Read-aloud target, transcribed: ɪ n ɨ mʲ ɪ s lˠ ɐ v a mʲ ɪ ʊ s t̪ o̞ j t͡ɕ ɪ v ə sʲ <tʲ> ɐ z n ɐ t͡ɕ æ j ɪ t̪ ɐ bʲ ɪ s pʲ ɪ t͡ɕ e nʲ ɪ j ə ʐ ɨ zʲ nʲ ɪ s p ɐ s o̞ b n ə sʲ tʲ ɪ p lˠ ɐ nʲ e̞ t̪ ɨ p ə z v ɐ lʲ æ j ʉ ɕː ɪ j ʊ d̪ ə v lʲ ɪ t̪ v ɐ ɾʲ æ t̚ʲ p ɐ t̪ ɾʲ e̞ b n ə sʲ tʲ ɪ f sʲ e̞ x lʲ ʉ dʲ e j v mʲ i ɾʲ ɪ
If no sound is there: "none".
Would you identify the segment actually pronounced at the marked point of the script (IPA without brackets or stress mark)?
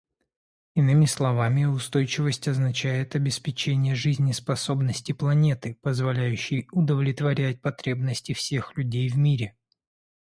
tʲ